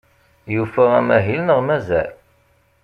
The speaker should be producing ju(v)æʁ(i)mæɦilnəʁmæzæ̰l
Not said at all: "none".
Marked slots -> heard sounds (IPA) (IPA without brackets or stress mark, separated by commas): f, æ